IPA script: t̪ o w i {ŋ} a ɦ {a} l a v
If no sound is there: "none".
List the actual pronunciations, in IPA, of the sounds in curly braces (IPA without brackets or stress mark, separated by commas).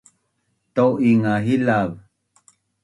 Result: ŋ, i